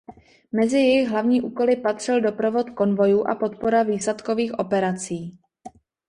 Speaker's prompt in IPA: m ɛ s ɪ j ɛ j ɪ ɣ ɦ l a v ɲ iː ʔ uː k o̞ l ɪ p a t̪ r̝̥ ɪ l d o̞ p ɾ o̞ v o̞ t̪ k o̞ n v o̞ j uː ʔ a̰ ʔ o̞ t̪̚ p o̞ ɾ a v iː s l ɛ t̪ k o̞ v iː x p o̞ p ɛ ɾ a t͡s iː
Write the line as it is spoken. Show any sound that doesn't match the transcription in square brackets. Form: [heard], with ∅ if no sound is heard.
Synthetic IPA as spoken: m ɛ [z] ɪ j ɛ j ɪ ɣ ɦ l a v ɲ iː ʔ uː k o̞ l ɪ p a t̪ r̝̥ ɪ l d o̞ p ɾ o̞ v o̞ t̪ k o̞ n v o̞ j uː ʔ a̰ [p] o̞ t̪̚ p o̞ ɾ a v iː s l ɛ t̪ k o̞ v iː x [ʔ] o̞ p ɛ ɾ a t͡s iː

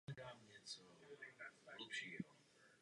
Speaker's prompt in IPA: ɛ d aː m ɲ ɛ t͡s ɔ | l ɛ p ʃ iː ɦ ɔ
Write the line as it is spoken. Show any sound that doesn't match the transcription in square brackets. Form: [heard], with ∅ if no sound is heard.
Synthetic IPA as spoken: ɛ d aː m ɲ ɛ t͡s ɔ | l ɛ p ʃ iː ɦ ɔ

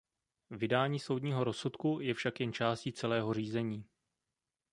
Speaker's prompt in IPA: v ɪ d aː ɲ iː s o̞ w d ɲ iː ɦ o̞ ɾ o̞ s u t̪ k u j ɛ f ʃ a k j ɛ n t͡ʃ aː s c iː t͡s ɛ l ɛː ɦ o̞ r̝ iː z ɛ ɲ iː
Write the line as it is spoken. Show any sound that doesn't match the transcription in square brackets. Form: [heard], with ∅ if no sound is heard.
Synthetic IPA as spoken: v ɪ d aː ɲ iː s o̞ w d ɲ iː ɦ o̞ ɾ o̞ s u t̪ k u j ɛ f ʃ a k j ɛ n t͡ʃ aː s c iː t͡s ɛ l ɛː ɦ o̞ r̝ iː z ɛ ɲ iː

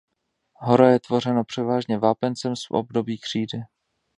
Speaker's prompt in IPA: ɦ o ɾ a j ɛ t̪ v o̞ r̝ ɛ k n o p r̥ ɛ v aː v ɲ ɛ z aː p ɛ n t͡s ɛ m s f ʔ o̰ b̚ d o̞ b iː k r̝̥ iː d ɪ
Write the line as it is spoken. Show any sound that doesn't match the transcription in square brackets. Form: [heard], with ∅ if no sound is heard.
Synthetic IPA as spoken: ɦ o ɾ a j ɛ t̪ v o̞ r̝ ɛ [∅] n o p r̥ ɛ v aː [ʒ] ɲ ɛ [v] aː p ɛ n t͡s ɛ m s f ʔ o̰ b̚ d o̞ b iː k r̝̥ iː d ɪ

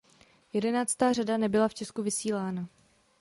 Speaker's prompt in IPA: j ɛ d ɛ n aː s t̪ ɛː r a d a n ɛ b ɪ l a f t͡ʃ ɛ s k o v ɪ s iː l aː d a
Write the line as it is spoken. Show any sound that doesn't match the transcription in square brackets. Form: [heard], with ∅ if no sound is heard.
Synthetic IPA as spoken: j ɛ d ɛ n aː [t͡s] t̪ [aː] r a d a n ɛ b ɪ l a f t͡ʃ ɛ s k [u] v ɪ s iː l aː [n] a

